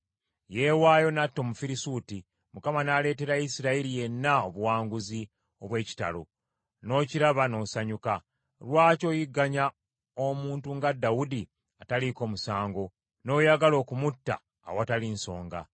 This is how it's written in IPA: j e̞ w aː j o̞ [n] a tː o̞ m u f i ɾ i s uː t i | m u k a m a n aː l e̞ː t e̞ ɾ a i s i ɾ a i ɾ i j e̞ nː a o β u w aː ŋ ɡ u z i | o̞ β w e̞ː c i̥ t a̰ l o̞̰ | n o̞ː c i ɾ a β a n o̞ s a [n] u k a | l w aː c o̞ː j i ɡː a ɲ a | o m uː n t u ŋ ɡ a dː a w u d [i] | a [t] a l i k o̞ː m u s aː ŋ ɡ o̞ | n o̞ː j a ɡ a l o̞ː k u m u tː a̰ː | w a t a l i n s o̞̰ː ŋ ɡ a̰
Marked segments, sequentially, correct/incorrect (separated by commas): correct, incorrect, correct, correct